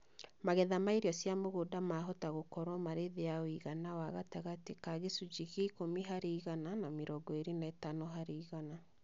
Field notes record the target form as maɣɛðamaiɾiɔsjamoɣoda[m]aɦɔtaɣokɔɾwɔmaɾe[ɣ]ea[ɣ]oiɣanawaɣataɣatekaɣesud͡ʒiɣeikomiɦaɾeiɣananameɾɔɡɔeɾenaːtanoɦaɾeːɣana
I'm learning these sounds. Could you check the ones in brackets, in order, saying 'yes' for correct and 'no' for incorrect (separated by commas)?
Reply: yes, no, no